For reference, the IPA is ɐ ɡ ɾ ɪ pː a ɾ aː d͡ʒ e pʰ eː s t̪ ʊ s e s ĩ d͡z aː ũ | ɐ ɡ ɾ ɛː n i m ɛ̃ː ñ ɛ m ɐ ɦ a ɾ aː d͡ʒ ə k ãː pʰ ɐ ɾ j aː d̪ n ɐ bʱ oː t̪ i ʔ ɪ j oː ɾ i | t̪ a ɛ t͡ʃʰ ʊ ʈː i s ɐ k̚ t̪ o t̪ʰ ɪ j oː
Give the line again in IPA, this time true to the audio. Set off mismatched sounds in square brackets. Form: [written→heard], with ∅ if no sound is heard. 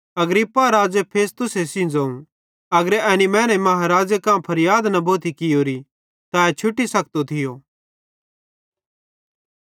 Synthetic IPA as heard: ɐ ɡ ɾ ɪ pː a ɾ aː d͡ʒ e pʰ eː s t̪ ʊ s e s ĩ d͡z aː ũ | ɐ ɡ ɾ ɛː n i m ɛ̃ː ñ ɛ m ɐ ɦ a ɾ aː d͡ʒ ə k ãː pʰ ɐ ɾ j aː d̪ n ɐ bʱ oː t̪ i [ʔ→k] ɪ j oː ɾ i | t̪ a ɛ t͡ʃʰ ʊ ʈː i s ɐ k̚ t̪ o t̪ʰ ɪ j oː